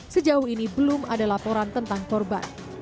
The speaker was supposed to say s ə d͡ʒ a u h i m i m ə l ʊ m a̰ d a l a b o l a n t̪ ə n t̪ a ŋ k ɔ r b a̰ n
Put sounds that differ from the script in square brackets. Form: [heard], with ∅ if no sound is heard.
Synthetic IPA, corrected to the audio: s ə d͡ʒ a u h i [n] i [b] ə l ʊ m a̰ d a l a [p] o [ɾ] a n t̪ ə n t̪ a ŋ k ɔ r b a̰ n